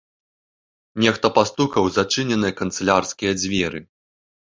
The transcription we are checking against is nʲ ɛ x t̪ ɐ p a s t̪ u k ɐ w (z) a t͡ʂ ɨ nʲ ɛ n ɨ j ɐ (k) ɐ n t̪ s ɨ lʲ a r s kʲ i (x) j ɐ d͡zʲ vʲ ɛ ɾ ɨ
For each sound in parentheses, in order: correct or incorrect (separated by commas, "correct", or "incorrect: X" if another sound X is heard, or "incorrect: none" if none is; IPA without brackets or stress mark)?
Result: correct, correct, incorrect: none